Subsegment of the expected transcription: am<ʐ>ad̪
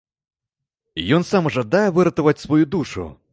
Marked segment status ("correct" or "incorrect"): correct